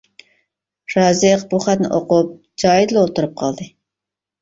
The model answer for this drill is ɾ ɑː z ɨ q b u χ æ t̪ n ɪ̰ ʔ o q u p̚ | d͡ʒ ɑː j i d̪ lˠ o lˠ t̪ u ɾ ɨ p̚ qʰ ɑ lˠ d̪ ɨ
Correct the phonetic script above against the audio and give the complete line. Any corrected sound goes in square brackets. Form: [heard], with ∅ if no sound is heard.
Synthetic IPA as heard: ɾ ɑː z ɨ q b u χ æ t̪ n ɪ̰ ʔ o q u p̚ | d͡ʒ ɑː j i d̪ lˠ o lˠ t̪ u ɾ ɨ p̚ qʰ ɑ lˠ d̪ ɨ